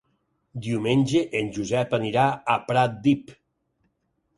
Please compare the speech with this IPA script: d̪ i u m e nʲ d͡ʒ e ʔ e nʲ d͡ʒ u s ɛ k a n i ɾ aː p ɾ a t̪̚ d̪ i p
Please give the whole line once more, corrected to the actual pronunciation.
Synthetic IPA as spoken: d̪ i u m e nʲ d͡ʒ e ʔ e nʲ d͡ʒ u z ɛ p a n i ɾ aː p ɾ a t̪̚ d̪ i p